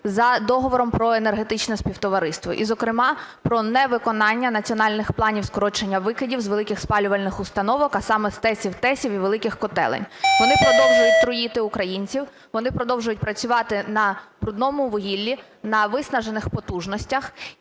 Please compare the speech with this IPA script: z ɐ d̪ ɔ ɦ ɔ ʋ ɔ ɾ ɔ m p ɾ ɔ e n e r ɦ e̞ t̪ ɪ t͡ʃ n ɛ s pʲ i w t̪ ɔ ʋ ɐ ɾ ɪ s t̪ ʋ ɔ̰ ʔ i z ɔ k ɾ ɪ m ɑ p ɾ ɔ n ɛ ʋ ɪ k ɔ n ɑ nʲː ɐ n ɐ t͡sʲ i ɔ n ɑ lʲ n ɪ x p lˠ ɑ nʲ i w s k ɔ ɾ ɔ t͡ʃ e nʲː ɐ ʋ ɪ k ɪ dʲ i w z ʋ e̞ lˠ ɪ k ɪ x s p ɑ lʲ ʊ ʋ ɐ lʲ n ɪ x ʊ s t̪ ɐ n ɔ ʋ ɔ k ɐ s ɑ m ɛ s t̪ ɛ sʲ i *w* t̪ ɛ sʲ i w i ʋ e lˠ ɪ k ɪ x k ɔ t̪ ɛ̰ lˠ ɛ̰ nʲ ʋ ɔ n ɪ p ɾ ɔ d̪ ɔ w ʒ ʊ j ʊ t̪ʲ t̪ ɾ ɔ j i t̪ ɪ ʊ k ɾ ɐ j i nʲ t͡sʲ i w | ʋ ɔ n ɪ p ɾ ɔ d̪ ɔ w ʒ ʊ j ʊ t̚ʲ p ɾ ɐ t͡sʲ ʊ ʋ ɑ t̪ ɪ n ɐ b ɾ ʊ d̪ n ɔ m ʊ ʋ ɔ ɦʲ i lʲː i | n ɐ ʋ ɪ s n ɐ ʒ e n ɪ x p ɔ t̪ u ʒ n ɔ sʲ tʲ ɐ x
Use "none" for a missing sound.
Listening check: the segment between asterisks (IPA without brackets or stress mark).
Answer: w